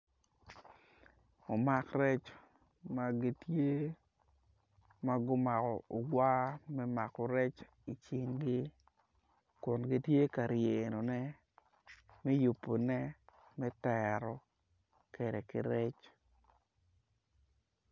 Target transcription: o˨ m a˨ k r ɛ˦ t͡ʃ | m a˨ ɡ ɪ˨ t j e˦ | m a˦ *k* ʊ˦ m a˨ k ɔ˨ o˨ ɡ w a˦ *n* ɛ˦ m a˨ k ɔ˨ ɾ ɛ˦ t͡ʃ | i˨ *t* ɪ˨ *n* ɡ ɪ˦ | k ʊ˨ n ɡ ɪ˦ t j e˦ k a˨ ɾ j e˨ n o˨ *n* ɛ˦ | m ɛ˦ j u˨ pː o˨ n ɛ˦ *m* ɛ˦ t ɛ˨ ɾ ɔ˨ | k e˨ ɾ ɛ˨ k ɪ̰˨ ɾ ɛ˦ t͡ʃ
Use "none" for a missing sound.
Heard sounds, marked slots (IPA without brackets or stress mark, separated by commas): ɡ, m, t͡ʃ, ŋ, n, m